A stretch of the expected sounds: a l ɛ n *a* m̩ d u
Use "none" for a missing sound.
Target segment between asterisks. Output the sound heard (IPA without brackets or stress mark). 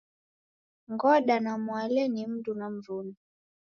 i